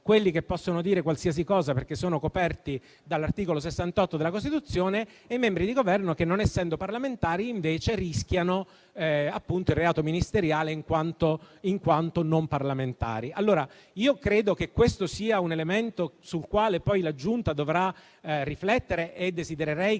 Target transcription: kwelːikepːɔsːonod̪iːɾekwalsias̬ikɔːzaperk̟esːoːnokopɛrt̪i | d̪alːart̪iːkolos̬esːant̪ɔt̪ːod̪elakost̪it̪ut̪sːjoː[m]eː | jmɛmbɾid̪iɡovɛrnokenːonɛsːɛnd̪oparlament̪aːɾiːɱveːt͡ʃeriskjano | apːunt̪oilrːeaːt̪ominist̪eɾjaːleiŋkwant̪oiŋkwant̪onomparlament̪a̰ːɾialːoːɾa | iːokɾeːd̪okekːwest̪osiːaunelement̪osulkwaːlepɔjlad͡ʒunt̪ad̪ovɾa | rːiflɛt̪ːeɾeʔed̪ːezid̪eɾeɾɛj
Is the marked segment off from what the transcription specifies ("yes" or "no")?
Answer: yes